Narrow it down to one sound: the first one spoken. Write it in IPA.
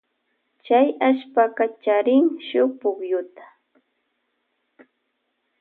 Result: t͡ʃ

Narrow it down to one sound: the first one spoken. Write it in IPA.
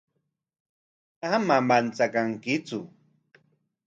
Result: a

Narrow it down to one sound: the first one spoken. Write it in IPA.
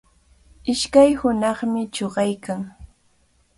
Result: ɪ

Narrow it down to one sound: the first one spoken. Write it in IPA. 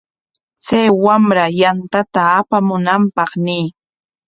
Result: t͡s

